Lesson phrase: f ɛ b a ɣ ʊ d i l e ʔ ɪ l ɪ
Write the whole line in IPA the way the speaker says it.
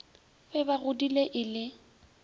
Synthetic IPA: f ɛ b a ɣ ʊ d i l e ʔ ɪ l ɪ